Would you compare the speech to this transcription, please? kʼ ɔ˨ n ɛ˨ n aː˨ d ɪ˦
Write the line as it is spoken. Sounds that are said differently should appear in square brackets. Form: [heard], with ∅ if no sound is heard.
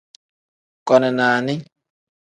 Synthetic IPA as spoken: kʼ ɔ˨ n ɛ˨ n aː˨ [n] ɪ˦

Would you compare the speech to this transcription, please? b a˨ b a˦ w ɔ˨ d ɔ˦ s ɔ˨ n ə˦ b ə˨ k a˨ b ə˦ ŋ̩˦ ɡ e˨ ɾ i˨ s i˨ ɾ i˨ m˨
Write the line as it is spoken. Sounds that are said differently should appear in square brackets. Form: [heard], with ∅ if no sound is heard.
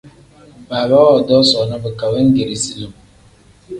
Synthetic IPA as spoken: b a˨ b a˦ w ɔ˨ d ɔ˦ s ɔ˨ n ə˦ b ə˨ k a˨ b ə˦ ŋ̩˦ ɡ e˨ ɾ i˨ s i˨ [l] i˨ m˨

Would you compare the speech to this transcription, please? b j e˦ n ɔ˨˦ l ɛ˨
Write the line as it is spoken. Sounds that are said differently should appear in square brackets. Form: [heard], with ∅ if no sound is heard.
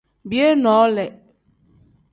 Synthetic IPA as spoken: b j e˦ n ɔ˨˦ l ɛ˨

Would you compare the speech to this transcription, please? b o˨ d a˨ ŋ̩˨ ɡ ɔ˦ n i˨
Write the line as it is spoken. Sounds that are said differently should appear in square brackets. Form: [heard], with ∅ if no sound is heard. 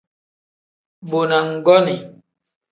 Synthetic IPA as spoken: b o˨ [n] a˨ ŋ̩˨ ɡ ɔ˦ n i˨

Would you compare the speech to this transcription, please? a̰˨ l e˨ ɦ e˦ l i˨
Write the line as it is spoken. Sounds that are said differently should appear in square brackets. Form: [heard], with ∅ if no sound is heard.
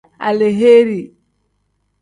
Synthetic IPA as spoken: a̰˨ l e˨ ɦ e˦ [ɾ] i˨

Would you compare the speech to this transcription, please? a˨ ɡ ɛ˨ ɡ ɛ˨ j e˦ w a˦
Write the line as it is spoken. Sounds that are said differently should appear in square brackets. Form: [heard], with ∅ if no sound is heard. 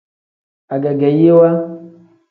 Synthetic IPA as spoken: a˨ ɡ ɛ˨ ɡ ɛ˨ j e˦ w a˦

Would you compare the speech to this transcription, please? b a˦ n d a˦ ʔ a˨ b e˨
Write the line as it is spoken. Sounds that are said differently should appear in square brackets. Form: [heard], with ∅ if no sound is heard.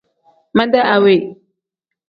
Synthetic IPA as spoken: [m] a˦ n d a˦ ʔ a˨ [w] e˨

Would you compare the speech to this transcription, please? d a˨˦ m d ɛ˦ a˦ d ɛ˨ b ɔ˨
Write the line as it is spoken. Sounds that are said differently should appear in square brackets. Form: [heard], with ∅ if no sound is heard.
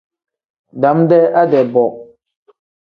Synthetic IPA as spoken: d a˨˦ m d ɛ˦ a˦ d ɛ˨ b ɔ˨

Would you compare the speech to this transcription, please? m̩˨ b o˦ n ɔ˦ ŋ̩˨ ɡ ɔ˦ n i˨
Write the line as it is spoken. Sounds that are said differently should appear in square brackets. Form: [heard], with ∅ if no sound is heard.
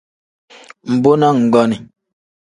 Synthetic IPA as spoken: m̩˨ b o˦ n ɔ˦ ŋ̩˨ ɡ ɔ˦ n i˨

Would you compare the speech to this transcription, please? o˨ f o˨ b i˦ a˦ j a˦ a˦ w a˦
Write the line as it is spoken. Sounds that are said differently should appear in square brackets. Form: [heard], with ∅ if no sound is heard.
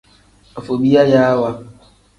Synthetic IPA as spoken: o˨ f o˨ b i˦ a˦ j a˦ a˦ w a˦

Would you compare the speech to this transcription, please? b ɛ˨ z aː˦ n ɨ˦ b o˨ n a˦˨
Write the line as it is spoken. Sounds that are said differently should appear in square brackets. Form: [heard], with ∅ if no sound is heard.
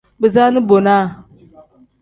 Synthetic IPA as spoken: b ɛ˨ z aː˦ n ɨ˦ b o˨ n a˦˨

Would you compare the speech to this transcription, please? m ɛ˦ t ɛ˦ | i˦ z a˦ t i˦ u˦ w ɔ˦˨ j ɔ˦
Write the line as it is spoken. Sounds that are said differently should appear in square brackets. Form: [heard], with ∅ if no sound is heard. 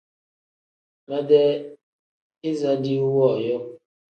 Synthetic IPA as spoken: m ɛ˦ [d] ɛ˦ | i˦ z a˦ [d] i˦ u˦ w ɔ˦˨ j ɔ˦

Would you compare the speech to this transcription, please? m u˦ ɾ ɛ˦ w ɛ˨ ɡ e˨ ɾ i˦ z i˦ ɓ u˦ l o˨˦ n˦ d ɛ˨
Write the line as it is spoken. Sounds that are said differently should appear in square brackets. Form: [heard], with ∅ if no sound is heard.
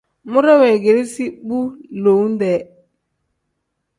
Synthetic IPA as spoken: m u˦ ɾ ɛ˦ w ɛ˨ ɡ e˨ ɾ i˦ [s] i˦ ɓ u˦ l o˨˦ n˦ d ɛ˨

